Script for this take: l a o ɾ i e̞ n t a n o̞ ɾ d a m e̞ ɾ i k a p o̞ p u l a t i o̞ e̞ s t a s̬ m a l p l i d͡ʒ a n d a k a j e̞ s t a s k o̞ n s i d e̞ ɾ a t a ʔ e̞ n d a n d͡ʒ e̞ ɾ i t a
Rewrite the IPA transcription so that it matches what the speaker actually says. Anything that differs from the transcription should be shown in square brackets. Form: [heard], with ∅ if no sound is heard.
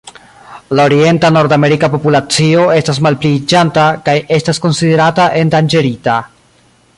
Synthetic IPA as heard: l a o ɾ i e̞ n t a n o̞ ɾ d a m e̞ ɾ i k a p o̞ p u l a [t͡s] i o̞ e̞ s t a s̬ m a l p l i d͡ʒ a n [t] a k a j e̞ s t a s k o̞ n s i d e̞ ɾ a t a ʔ e̞ n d a n d͡ʒ e̞ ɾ i t a